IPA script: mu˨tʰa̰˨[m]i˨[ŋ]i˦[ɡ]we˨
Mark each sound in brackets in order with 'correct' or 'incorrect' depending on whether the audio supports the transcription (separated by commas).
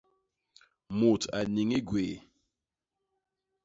incorrect, correct, correct